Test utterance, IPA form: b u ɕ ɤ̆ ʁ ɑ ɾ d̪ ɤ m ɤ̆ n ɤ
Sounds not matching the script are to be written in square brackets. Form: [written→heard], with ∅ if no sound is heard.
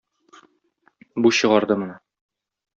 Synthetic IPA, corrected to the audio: b u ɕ ɤ̆ ʁ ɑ ɾ d̪ ɤ m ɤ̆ n ɤ